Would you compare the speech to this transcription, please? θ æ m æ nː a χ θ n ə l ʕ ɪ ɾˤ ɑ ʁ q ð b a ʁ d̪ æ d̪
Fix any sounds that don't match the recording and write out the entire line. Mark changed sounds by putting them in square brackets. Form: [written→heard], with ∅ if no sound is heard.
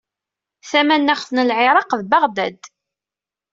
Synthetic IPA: θ æ m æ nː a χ θ n ə l ʕ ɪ ɾˤ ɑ [ʁ→∅] q ð b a ʁ d̪ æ d̪